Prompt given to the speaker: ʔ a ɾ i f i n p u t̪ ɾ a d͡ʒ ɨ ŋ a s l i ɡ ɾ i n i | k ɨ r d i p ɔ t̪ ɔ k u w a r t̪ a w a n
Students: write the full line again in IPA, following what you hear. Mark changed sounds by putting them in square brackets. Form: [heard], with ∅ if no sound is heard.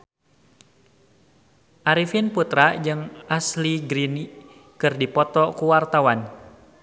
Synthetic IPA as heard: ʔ a ɾ i f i n p u t̪ ɾ a d͡ʒ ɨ ŋ a s l i ɡ ɾ i n i | k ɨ r d i p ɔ t̪ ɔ k u w a r t̪ a w a n